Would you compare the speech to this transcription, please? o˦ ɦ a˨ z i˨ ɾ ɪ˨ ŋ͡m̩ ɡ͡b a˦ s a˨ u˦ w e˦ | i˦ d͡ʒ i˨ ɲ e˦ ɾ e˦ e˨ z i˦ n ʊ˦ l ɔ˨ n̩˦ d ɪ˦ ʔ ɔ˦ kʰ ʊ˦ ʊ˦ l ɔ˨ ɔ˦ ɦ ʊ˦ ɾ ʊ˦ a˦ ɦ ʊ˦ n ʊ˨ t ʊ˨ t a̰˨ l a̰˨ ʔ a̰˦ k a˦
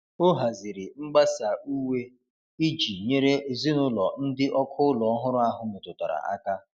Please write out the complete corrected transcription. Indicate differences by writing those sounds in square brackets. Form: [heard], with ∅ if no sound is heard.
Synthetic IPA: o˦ ɦ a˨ z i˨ ɾ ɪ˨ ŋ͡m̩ ɡ͡b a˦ s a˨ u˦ w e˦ | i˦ d͡ʒ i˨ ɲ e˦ ɾ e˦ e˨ z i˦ n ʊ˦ l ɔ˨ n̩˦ d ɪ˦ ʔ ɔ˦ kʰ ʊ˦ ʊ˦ l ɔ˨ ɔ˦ ɦ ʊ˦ ɾ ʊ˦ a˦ ɦ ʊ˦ [m] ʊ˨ t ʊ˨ t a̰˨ [ɾ] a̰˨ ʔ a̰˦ k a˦